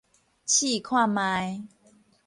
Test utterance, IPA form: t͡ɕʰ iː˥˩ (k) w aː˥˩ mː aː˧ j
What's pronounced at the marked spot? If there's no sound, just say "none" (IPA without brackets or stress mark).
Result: kʰ